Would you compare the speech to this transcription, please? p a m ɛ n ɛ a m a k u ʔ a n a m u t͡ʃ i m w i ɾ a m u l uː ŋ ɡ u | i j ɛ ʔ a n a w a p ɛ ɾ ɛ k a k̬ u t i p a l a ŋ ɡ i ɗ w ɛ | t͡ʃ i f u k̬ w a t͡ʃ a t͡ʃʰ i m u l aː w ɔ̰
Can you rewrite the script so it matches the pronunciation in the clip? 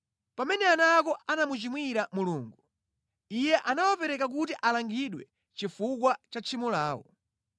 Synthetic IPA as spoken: p a m ɛ n ɛ a n a k ɔ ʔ a n a m u t͡ʃ i m w i ɾ a m u l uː ŋ ɡ u | i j ɛ ʔ a n a w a p ɛ ɾ ɛ k a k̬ u t i ʔ a l a ŋ ɡ i ɗ w ɛ | t͡ʃ i f u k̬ w a t͡ʃ a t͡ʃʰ i m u l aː w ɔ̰